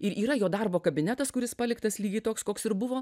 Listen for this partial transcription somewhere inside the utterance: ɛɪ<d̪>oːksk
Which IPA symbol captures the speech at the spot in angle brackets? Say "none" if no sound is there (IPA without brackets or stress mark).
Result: t̪